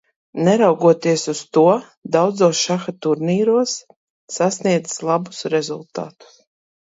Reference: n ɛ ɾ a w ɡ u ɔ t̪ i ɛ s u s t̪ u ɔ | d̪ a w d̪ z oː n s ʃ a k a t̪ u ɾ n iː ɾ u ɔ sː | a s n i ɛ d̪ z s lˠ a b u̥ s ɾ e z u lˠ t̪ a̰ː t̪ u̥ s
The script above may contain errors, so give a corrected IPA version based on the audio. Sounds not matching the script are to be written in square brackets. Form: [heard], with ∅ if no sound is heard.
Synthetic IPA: n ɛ ɾ a w ɡ u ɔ t̪ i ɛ s u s t̪ u ɔ | d̪ a w d̪ z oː [∅] s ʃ a [x] a t̪ u ɾ n iː ɾ u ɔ sː | a s n i ɛ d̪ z s lˠ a b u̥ s ɾ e z u lˠ t̪ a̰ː t̪ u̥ s